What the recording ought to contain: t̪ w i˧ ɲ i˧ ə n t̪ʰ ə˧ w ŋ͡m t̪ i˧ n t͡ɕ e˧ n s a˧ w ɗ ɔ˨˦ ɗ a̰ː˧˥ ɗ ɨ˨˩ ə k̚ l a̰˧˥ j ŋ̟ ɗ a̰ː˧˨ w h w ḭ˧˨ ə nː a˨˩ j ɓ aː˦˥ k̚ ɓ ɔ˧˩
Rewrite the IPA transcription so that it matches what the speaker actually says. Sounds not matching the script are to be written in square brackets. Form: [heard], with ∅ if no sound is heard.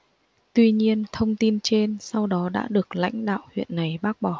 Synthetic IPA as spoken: t̪ w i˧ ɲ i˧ ə n t̪ʰ ə˧ w ŋ͡m t̪ i˧ n t͡ɕ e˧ n s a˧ w ɗ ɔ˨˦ ɗ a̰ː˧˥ ɗ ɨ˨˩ ə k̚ l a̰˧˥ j ŋ̟ ɗ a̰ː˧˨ w h w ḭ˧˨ ə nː a˨˩ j ɓ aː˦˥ k̚ ɓ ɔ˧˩